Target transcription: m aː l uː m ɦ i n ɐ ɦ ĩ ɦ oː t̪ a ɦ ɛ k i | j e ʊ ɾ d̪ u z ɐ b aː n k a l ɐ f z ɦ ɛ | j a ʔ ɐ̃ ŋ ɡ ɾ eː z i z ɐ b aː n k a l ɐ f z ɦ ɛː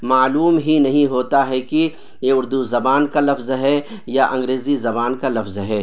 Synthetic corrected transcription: m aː l uː m ɦ i n ɐ ɦ ĩ ɦ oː t̪ a ɦ ɛ k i | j e ʊ ɾ d̪ u z ɐ b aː n k a l ɐ f z ɦ ɛ | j a ʔ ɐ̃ ŋ ɡ ɾ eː z i z ɐ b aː n k a l ɐ f z ɦ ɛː